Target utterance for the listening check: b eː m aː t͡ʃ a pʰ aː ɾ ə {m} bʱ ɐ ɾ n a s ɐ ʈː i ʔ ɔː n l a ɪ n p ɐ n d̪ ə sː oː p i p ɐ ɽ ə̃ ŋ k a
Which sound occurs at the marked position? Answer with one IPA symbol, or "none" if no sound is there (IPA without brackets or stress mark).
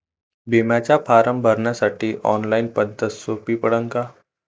m